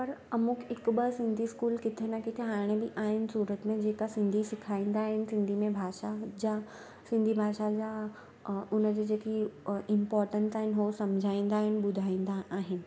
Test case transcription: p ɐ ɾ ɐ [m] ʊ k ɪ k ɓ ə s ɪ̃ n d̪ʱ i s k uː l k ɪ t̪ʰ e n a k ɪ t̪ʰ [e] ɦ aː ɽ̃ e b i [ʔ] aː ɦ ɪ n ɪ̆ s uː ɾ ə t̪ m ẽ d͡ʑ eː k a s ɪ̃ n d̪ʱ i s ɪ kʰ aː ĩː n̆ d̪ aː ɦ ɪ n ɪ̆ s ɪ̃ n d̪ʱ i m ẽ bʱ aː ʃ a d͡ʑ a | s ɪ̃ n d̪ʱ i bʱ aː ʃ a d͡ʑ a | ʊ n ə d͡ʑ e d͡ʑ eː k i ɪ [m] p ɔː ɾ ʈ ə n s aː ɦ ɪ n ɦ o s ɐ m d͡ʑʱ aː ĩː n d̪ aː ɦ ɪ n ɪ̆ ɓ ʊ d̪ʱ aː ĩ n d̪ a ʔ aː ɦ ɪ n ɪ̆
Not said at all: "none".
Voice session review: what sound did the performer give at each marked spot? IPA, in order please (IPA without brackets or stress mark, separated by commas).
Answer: m, e, ʔ, m